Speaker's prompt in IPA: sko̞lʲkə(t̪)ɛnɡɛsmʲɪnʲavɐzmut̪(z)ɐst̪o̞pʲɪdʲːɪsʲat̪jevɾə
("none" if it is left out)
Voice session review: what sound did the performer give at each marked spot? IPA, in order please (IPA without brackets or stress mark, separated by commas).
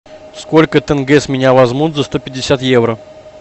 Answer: t̪, z